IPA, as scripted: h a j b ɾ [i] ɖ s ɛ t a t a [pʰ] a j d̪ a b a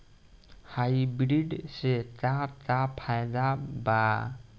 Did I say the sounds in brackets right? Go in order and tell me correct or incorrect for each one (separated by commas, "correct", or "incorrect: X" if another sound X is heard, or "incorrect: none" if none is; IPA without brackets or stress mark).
correct, correct